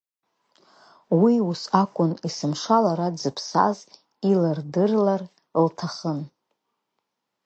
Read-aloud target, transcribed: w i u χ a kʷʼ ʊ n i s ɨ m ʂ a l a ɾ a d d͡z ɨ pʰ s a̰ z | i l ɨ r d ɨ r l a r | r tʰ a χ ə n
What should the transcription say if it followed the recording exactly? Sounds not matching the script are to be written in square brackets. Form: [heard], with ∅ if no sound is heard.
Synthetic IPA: w i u [s] a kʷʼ ʊ n i s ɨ m ʂ a l a ɾ a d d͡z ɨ pʰ s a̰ z | i l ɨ r d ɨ r l a r | [l] tʰ a χ ə n